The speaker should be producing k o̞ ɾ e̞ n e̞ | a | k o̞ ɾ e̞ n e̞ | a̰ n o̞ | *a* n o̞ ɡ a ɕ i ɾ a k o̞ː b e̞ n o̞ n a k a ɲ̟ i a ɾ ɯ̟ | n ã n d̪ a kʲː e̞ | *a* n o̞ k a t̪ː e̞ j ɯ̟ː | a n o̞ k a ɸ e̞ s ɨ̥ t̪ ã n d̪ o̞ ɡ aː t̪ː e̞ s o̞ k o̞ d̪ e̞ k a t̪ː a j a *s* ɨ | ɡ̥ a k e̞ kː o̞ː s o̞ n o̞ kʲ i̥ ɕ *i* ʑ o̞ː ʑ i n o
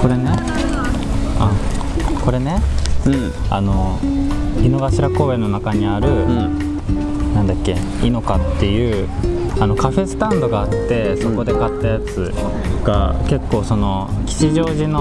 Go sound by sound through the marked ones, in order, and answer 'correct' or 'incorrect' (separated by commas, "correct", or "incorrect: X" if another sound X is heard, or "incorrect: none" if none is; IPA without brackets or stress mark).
incorrect: i, incorrect: i, incorrect: t͡s, correct